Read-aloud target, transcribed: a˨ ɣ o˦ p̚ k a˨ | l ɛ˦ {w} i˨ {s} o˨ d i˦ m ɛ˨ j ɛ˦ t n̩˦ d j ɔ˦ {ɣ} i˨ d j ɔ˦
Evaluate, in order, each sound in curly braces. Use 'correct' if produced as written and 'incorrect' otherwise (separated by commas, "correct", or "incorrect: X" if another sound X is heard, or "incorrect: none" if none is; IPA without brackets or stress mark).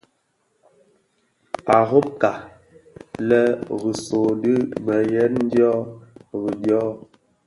incorrect: ɣ, correct, correct